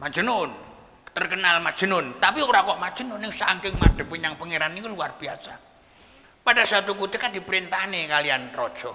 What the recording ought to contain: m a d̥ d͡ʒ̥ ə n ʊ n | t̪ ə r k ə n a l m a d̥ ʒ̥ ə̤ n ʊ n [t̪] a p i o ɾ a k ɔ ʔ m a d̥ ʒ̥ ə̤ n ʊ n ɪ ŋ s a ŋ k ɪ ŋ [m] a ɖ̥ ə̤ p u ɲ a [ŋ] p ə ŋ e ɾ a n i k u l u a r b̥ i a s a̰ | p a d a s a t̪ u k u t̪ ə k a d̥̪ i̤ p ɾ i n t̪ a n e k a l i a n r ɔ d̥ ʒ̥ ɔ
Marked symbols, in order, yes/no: yes, yes, yes

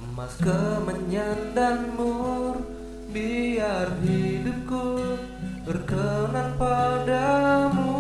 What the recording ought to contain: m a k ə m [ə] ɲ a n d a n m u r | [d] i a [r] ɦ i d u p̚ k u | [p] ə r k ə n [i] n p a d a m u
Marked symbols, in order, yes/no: yes, no, yes, no, no

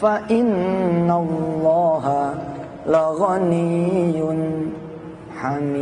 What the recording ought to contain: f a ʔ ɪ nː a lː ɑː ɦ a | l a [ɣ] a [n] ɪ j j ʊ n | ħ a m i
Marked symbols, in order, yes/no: yes, yes

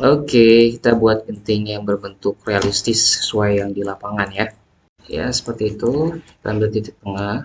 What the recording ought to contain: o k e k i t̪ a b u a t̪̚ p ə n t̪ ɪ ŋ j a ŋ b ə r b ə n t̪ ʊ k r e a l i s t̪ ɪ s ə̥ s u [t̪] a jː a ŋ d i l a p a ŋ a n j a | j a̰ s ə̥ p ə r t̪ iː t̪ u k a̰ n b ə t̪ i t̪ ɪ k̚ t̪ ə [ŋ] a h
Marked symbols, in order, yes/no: no, yes

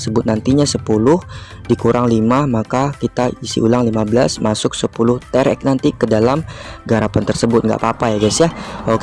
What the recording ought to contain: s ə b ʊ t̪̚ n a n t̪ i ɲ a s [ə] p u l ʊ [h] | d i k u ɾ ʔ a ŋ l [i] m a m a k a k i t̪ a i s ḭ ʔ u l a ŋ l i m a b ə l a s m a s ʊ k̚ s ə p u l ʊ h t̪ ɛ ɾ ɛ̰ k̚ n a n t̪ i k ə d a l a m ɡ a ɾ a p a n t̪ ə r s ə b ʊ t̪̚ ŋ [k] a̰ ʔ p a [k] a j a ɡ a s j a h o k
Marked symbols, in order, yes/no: yes, yes, yes, no, no

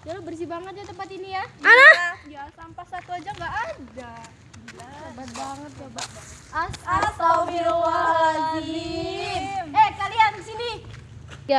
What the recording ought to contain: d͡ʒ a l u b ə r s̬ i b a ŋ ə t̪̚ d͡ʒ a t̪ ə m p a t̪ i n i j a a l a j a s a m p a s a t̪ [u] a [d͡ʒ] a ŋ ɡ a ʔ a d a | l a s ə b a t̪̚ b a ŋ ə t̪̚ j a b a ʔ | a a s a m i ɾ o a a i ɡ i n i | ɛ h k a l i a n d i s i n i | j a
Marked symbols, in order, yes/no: yes, yes

